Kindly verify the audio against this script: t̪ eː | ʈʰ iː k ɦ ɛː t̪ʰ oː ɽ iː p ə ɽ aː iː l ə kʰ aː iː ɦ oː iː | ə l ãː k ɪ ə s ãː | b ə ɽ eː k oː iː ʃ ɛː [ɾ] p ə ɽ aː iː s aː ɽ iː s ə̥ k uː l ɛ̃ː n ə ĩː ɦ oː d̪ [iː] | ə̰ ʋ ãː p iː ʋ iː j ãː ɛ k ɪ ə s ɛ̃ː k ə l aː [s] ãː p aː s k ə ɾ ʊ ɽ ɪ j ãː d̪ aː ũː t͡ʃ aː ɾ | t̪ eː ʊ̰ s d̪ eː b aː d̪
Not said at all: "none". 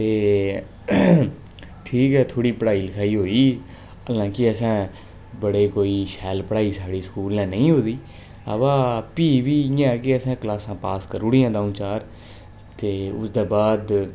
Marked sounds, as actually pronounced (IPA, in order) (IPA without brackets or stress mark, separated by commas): l, iː, s